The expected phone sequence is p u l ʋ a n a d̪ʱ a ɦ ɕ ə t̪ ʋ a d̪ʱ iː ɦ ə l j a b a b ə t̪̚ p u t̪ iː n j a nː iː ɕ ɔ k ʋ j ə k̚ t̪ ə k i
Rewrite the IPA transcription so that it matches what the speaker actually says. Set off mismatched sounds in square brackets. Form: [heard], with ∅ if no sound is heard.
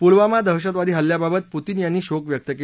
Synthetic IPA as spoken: p u l ʋ a [m] a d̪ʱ [ə] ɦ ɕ ə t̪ ʋ a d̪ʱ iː ɦ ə l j a b a b ə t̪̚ p u t̪ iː n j a nː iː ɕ [o] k ʋ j ə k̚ t̪ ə k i